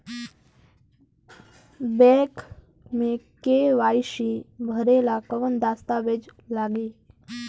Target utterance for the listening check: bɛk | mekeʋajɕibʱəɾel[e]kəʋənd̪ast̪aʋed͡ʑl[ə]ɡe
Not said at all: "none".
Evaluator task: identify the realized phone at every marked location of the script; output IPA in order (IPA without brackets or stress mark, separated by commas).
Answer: a, a